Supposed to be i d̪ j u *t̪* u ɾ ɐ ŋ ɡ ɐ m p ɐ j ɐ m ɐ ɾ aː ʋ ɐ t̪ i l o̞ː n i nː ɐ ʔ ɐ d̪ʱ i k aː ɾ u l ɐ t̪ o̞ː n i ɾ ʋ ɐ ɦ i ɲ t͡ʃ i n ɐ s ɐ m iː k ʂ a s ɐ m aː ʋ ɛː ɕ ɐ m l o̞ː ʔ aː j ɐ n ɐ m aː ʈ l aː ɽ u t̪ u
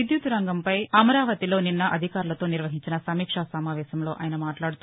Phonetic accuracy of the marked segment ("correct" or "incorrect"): correct